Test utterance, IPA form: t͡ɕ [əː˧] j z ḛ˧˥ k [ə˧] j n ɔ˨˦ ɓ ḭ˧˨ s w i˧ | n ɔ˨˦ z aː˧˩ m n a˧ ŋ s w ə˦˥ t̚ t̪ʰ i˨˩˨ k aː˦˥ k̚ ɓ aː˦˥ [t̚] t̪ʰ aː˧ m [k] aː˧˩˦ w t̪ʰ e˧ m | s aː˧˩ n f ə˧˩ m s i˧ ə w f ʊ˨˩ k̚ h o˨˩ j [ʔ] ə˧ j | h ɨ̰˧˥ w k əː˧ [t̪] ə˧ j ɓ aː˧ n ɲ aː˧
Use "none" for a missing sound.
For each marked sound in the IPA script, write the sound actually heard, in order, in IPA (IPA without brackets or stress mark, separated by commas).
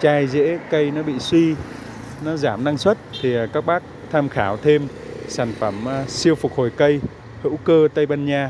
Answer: aː˧, ə˧, k̚, x, k, t̪